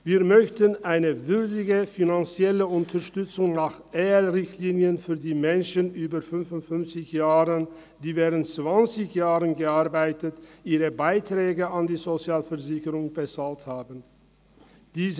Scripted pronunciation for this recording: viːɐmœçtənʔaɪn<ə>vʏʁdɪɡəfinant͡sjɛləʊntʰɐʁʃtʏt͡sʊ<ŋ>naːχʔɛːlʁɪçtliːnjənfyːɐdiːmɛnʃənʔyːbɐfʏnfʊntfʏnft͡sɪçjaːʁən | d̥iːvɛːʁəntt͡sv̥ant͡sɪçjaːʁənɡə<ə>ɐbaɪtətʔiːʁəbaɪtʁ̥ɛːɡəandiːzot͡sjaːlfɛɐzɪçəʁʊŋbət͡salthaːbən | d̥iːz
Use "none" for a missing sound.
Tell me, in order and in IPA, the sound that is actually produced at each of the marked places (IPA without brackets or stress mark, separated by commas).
ə, ŋ, a